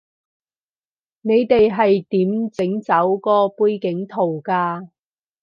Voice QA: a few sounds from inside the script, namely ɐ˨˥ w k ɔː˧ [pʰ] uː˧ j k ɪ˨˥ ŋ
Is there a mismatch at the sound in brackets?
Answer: yes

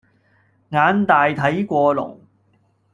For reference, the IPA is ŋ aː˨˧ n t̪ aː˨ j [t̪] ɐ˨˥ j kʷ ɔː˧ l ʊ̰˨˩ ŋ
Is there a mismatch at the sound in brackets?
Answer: yes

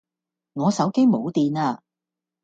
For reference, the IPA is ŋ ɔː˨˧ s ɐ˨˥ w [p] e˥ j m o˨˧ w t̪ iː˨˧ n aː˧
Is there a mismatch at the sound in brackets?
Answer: yes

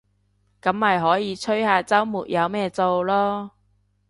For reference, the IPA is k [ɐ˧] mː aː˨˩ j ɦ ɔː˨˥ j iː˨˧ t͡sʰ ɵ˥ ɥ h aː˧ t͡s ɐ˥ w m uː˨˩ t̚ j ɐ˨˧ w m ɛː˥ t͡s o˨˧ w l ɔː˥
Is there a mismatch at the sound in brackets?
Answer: yes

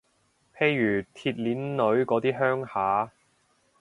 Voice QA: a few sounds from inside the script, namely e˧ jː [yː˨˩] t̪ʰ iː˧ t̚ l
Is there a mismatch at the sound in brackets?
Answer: no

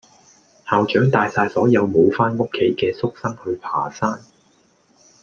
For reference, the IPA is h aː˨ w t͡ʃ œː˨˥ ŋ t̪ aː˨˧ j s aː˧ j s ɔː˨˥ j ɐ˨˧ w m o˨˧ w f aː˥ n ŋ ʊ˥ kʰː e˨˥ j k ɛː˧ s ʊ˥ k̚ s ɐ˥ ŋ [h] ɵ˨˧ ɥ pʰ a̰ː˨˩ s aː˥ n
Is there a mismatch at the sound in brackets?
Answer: no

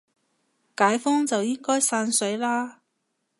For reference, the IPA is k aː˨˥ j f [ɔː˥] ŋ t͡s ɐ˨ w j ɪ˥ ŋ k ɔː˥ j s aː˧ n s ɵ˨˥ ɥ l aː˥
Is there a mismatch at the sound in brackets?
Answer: no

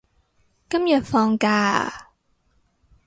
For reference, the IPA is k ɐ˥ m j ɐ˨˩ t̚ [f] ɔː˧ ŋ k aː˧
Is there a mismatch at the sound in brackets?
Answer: no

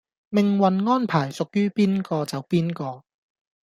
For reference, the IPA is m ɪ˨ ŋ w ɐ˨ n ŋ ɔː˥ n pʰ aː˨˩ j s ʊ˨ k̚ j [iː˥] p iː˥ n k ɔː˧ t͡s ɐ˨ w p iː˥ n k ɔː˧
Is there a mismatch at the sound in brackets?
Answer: yes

